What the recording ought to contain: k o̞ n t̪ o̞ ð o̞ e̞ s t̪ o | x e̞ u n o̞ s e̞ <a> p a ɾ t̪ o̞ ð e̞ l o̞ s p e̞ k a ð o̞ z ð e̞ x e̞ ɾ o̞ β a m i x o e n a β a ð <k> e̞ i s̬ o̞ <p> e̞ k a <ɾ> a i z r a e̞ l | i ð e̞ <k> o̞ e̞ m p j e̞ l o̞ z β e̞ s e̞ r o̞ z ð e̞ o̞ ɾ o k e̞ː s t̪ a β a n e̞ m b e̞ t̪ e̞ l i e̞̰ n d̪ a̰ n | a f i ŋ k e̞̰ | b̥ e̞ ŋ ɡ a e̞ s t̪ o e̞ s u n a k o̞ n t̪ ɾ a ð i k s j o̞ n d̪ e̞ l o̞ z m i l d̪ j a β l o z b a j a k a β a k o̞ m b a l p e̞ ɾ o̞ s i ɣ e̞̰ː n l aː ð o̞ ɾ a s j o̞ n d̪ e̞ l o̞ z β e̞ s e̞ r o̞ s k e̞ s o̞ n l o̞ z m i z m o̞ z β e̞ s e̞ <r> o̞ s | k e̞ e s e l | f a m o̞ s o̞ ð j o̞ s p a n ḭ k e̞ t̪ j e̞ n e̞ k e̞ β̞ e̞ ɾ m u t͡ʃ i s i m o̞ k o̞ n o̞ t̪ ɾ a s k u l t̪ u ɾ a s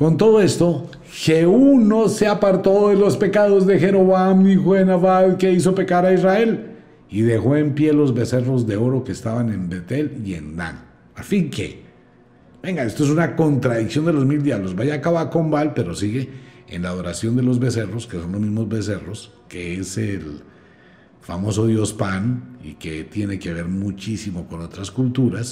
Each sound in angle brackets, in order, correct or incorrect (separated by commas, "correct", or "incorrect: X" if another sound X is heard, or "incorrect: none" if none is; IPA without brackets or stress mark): correct, correct, correct, correct, incorrect: x, correct